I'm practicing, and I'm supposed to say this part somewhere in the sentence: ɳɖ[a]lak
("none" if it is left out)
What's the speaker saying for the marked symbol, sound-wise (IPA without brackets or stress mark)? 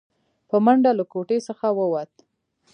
a